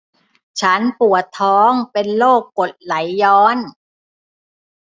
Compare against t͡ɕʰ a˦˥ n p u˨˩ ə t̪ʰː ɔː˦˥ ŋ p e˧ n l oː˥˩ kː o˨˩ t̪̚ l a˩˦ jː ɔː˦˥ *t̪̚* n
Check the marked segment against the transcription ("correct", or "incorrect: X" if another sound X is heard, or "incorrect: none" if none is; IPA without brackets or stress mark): incorrect: none